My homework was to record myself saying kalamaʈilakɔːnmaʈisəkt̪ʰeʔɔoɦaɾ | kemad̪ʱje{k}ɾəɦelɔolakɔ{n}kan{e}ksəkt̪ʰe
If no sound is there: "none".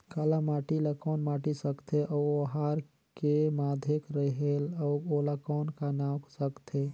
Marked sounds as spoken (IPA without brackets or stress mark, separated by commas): k, n, a